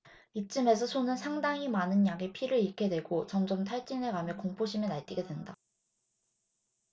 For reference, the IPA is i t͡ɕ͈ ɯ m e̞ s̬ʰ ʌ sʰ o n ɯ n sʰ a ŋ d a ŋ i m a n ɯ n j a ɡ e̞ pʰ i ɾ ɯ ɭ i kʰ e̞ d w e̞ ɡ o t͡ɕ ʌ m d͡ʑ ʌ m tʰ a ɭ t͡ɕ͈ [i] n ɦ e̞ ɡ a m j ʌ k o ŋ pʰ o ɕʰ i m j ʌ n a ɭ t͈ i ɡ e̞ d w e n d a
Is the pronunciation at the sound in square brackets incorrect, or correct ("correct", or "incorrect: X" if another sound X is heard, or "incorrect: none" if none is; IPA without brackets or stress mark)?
correct